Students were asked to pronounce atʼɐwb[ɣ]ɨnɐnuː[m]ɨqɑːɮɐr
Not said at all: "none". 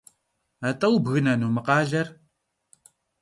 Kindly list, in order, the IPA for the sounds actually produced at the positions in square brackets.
ɣ, m

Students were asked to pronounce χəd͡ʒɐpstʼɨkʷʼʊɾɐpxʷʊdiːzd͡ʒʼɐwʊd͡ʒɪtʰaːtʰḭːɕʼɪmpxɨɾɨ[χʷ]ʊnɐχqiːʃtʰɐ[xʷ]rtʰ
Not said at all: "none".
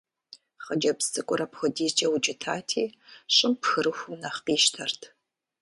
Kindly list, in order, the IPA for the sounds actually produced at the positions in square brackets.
xʷ, none

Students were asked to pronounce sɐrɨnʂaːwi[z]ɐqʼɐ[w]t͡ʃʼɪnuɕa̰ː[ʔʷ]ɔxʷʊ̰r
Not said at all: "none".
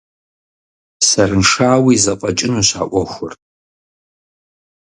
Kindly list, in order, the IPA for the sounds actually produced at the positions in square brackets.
z, none, ʔʷ

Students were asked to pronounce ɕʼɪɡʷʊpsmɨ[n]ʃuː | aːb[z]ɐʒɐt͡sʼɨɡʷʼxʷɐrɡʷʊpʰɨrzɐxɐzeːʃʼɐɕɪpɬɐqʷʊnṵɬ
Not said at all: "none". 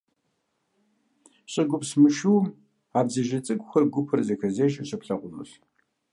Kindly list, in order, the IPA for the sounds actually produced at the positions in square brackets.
none, z

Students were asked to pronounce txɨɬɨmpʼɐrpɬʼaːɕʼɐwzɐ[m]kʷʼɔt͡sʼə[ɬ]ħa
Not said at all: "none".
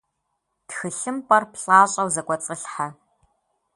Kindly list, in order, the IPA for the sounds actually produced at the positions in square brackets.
none, ɬ

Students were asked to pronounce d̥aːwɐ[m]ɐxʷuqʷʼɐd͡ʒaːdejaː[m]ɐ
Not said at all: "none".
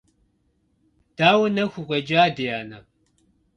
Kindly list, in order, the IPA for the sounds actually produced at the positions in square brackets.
n, n

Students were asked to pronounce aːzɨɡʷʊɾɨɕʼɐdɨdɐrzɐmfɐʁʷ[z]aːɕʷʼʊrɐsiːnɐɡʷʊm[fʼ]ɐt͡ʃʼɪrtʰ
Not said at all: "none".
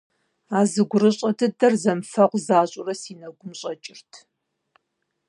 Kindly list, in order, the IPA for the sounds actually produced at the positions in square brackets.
z, ɕʼ

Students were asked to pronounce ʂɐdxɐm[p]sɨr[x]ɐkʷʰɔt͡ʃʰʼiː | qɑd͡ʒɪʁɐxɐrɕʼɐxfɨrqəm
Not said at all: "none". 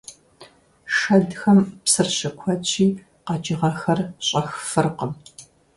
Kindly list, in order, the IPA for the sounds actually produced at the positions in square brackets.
p, ɕ

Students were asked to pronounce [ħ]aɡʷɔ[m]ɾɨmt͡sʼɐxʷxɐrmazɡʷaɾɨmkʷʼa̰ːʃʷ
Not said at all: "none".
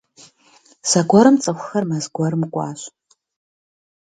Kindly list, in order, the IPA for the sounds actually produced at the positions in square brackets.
s, none

